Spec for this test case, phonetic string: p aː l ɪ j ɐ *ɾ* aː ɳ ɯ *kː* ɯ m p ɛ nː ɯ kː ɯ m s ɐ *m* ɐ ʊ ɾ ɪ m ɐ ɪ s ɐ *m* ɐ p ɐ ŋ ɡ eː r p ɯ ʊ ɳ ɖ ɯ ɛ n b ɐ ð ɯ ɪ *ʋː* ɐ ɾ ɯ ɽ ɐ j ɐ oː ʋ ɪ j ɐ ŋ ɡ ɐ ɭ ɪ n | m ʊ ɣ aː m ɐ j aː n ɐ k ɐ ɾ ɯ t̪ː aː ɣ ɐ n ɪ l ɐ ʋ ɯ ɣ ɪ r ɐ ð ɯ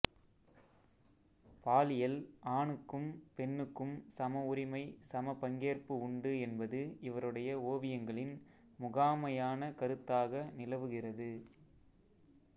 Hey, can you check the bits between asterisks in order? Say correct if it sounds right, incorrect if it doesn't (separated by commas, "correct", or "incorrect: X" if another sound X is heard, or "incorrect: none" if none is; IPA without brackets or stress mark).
incorrect: l, correct, correct, correct, incorrect: ʋ